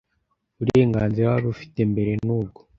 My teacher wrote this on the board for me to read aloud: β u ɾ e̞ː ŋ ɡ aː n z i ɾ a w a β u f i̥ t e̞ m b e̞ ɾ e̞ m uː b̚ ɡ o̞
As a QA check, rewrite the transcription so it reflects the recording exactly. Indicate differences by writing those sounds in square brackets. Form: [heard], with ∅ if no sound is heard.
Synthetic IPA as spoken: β u ɾ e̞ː ŋ ɡ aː n z i ɾ a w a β u f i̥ t e̞ m b e̞ ɾ e̞ [n] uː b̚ ɡ o̞